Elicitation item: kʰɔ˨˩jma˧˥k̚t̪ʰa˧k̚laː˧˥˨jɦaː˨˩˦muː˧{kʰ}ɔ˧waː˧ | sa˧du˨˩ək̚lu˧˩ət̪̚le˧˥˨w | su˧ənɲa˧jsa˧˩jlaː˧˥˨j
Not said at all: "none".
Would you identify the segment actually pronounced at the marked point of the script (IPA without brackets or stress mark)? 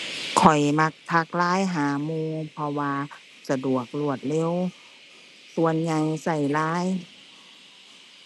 pʰ